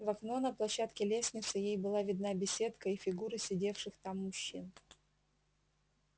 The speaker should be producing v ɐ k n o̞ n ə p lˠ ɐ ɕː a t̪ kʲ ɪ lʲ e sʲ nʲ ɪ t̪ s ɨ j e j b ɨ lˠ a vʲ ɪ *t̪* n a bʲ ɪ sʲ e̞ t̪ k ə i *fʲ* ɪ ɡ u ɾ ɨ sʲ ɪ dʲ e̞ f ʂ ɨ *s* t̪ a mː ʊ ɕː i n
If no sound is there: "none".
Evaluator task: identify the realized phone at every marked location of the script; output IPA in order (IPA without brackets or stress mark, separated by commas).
d̪, fʲ, x